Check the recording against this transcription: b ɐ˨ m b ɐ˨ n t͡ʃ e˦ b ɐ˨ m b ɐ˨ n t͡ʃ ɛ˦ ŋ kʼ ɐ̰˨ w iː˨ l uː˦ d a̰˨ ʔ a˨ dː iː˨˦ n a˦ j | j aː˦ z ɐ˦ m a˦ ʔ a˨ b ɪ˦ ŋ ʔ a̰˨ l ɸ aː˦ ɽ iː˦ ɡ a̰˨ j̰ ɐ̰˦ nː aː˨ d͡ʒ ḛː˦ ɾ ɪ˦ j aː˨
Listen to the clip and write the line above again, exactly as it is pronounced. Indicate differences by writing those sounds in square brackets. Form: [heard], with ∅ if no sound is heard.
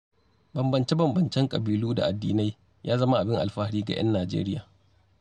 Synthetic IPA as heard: b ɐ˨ m b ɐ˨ n t͡ʃ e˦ b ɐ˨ m b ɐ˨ n t͡ʃ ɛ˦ ŋ kʼ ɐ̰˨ [b] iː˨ l uː˦ d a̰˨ ʔ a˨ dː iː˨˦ n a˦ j | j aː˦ z ɐ˦ m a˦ ʔ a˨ b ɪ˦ ŋ ʔ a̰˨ l ɸ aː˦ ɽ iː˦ ɡ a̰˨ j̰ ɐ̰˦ nː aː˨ d͡ʒ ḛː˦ ɾ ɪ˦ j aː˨